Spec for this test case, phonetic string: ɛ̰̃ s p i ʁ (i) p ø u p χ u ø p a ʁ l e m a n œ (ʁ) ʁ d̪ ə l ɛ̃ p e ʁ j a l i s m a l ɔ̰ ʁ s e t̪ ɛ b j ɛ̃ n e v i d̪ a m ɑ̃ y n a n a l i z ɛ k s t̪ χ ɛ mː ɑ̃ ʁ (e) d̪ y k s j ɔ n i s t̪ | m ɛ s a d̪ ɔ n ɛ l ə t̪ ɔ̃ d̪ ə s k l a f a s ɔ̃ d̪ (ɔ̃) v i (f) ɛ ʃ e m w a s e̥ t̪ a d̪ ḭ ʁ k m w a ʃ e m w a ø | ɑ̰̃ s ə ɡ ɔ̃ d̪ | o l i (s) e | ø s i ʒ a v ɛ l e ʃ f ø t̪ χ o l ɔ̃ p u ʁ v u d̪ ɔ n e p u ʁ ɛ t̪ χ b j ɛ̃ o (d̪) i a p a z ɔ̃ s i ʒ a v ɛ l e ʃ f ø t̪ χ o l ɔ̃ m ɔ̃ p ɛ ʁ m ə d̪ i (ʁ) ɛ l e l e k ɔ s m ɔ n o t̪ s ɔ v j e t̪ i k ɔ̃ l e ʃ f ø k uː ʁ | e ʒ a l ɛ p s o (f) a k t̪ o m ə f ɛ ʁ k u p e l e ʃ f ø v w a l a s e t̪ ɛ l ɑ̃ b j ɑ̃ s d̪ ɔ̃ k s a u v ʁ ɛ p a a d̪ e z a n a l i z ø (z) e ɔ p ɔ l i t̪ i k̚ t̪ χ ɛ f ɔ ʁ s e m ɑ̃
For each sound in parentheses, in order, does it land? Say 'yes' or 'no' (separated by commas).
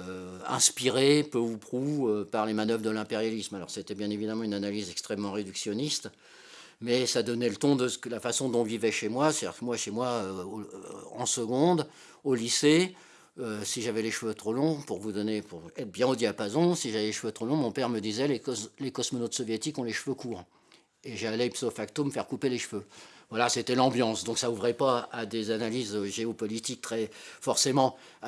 no, no, yes, yes, no, yes, yes, no, yes, no